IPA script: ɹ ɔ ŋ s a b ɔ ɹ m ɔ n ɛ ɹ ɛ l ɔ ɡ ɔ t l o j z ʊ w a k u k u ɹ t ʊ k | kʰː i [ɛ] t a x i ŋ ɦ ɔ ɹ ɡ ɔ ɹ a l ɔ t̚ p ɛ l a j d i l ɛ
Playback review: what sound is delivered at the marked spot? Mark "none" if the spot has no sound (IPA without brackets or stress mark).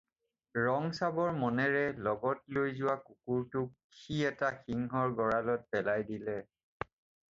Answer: ɛ